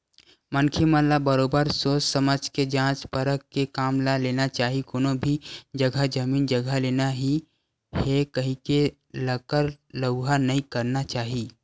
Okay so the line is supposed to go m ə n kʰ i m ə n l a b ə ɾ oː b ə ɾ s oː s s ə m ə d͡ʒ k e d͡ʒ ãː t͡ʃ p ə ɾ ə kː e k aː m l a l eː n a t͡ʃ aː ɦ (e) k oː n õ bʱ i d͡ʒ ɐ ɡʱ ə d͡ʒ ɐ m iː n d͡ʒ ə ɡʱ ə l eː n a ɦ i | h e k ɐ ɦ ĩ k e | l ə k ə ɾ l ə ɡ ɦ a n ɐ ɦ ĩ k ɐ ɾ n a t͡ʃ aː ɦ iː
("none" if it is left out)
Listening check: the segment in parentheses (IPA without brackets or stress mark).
i